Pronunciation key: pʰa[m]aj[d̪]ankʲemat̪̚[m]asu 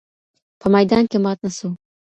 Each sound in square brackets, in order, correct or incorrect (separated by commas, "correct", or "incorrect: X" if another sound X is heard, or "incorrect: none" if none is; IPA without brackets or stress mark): correct, correct, incorrect: n